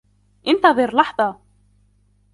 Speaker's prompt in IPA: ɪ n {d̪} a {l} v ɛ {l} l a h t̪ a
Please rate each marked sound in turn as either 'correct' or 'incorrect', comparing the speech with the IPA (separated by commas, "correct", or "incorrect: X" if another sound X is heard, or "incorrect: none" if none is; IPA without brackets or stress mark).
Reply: incorrect: t̪, incorrect: none, incorrect: ɾ